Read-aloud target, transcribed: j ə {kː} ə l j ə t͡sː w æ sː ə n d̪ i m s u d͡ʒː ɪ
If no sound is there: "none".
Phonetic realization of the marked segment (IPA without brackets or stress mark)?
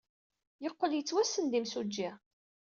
qː